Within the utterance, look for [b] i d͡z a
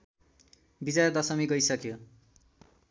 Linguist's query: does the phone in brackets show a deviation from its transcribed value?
no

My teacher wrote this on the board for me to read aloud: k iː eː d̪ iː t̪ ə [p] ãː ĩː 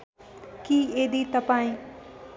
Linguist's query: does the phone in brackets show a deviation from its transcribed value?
no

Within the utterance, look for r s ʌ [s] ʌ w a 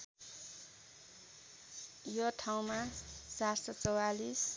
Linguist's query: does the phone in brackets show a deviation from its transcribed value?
yes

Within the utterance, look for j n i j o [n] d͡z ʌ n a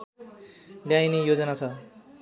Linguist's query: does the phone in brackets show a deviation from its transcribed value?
yes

